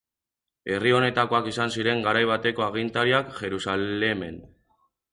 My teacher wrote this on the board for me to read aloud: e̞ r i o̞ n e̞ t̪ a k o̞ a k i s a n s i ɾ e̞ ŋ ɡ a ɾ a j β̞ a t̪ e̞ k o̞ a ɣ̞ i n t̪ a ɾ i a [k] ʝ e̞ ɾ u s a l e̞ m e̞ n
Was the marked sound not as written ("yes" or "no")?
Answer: no